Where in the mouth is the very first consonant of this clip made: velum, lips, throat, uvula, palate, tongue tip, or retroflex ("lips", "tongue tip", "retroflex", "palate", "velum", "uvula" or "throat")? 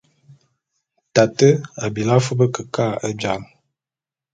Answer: tongue tip